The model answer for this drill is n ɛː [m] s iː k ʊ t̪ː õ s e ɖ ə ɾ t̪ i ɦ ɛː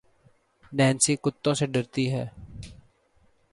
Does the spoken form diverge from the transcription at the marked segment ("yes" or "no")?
yes